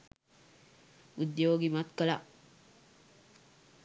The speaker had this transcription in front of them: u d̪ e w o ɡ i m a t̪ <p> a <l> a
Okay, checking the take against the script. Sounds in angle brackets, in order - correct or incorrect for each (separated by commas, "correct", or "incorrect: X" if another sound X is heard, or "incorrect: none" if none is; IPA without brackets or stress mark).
incorrect: k, correct